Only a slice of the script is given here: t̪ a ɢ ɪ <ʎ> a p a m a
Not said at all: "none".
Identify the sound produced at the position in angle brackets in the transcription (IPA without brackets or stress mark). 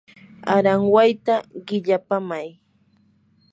ʎ